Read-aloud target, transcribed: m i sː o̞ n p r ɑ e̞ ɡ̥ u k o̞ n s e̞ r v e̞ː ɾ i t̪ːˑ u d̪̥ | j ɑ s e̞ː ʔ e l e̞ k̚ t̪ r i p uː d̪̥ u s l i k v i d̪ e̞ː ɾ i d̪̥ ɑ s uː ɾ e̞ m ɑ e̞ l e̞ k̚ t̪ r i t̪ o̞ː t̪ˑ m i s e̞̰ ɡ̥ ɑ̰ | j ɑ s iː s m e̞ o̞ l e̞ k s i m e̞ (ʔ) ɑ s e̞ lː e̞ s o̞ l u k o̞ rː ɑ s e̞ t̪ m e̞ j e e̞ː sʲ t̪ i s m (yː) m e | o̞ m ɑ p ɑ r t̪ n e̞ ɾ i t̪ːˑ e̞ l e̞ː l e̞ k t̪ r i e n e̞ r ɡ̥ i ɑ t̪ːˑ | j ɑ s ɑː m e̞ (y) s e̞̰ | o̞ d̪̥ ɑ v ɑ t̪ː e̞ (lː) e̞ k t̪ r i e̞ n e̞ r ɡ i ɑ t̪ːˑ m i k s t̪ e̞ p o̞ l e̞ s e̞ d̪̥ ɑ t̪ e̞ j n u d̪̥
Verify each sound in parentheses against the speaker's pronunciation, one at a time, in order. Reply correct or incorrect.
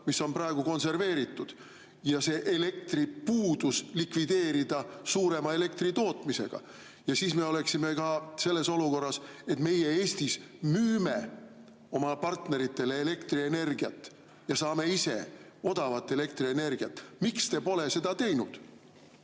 incorrect, correct, incorrect, incorrect

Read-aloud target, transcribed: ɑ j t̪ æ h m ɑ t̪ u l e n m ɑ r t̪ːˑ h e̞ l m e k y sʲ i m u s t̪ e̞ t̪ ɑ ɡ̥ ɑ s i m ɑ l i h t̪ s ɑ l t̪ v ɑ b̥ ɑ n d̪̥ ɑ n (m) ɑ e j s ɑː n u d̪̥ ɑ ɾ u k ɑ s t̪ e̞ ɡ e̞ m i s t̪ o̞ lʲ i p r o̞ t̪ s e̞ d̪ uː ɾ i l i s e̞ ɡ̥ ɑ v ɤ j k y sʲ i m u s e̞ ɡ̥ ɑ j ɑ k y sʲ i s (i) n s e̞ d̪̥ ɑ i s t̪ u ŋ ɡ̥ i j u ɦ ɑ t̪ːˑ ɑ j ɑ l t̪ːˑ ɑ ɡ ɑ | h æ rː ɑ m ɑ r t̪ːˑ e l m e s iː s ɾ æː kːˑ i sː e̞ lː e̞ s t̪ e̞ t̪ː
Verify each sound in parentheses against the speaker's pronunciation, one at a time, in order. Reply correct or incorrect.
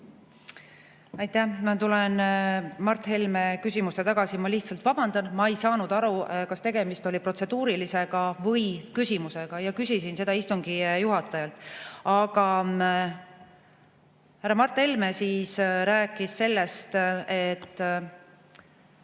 correct, correct

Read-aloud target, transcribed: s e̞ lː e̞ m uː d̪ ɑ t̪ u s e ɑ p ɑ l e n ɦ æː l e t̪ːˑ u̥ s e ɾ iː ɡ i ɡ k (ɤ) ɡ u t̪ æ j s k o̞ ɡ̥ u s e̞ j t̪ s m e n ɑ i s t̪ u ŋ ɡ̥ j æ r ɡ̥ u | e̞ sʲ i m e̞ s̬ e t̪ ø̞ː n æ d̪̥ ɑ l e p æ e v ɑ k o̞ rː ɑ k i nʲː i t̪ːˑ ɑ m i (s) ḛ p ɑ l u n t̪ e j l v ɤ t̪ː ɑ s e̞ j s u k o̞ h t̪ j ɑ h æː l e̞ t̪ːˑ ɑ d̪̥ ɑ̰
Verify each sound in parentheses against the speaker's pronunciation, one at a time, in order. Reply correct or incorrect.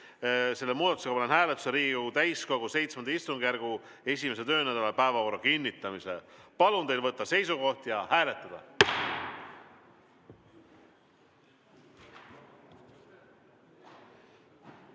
incorrect, correct

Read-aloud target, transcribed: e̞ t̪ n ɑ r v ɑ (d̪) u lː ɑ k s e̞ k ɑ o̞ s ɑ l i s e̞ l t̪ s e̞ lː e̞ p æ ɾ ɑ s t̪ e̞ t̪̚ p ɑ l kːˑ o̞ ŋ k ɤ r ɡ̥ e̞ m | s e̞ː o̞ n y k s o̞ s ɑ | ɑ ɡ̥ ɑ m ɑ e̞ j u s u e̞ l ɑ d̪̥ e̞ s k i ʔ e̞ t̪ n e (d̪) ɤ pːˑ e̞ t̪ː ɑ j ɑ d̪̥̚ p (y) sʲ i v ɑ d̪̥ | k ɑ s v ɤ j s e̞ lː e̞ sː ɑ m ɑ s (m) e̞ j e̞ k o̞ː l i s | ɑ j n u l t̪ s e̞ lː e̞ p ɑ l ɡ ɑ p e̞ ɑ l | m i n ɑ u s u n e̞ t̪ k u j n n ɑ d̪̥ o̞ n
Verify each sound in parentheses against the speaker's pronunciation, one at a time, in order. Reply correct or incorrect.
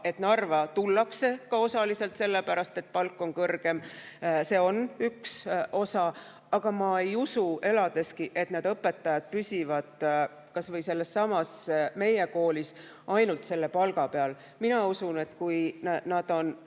incorrect, correct, correct, correct

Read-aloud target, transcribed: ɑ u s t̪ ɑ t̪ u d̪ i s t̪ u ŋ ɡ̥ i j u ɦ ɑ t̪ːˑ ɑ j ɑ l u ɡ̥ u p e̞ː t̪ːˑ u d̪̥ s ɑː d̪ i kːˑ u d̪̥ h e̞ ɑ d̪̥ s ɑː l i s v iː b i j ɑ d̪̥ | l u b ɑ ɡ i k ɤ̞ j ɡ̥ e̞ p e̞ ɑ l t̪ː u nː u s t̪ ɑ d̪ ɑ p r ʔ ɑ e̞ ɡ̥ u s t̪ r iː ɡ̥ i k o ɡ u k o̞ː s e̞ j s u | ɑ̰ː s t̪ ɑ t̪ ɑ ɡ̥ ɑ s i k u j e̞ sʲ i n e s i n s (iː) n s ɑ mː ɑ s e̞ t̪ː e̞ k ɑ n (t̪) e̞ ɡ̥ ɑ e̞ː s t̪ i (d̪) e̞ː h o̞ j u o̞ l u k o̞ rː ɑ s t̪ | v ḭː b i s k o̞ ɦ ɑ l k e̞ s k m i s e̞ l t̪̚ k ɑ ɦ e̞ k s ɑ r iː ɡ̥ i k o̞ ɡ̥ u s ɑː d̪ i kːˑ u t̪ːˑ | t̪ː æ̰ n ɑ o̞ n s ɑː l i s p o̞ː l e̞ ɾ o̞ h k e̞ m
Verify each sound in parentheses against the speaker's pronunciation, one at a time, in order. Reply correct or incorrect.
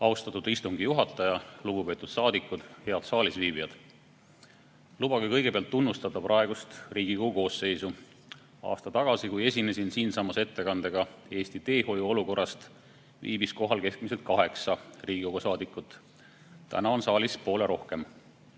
correct, incorrect, incorrect

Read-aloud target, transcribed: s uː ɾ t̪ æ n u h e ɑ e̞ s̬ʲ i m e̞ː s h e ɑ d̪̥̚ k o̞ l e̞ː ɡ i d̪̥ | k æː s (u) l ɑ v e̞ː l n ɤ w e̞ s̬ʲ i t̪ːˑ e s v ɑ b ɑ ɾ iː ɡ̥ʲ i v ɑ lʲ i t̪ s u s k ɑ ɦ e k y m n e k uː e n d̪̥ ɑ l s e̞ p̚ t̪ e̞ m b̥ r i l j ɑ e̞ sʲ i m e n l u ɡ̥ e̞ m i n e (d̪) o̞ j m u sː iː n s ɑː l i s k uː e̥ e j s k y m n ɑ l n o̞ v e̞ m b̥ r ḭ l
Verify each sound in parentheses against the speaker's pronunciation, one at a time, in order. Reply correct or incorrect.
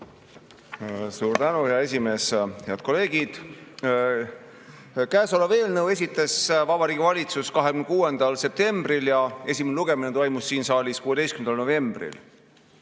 incorrect, incorrect

